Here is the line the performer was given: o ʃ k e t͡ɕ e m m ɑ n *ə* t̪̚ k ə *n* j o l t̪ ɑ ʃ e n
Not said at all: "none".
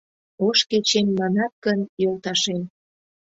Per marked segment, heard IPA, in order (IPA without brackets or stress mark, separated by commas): ɑ, n